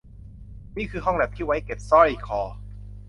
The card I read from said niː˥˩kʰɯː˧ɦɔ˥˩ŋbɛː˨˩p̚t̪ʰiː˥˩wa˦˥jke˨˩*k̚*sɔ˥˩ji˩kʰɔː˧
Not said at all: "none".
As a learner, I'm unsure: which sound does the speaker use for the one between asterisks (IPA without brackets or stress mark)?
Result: p̚